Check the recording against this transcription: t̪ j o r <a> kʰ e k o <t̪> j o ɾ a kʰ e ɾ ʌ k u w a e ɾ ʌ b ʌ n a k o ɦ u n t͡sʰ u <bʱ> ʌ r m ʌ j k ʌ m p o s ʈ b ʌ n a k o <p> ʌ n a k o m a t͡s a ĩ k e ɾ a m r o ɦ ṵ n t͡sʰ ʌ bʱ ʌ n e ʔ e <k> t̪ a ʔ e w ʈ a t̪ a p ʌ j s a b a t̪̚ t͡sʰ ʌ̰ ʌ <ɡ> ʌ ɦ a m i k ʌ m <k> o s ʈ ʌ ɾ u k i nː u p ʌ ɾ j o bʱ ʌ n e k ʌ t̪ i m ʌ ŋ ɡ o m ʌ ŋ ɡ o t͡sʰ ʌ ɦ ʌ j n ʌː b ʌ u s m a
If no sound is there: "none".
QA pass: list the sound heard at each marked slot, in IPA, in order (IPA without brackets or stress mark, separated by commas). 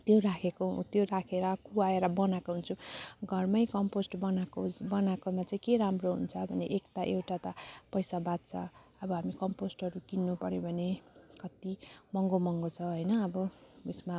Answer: a, t̪, ɡʱ, b, k, b, p